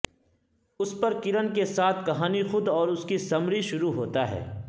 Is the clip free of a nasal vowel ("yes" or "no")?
yes